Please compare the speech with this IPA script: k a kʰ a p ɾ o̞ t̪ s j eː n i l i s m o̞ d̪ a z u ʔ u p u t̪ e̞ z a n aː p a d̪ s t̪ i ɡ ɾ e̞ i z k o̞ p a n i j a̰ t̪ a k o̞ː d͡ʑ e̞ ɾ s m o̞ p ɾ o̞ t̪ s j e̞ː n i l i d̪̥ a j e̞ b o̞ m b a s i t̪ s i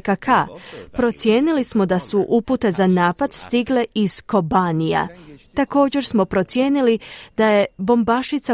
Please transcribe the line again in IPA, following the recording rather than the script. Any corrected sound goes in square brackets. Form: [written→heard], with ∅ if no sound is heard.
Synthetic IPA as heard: k a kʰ a p ɾ o̞ t̪ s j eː n i l i s m o̞ d̪ a [z→s] u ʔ u p u t̪ e̞ z a n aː p a d̪ s t̪ i ɡ [ɾ→l] e̞ i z k o̞ [p→b] a n i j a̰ t̪ a k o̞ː d͡ʑ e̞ ɾ s m o̞ p ɾ o̞ t̪ s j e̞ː n i l i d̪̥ a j e̞ b o̞ m b a [s→ʃ] i t̪ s [i→a]